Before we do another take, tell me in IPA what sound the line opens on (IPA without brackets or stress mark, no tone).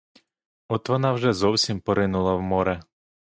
ɔ